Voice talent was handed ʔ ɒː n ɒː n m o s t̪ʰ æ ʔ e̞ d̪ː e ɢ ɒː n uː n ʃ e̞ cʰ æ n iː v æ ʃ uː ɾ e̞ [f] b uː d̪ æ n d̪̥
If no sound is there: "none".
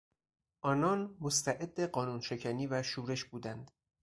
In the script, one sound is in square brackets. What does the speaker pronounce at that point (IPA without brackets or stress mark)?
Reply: ʃ